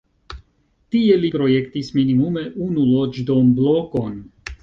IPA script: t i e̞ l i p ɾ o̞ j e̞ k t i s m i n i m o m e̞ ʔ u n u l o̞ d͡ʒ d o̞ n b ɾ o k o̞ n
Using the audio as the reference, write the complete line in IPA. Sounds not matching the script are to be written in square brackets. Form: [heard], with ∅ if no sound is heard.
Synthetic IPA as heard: t i e̞ l i p ɾ o̞ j e̞ k t i s m i n i m [u] m e̞ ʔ u n u l o̞ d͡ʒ d o̞ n b [l] o k o̞ n